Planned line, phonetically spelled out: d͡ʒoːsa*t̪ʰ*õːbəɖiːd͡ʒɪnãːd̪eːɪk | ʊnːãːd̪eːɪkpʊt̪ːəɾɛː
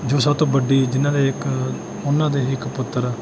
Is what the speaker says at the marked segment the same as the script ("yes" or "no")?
no